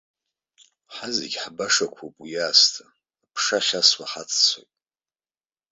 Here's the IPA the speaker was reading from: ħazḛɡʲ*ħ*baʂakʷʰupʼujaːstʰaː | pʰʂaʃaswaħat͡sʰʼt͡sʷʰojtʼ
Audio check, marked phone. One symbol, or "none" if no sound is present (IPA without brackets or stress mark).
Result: ħ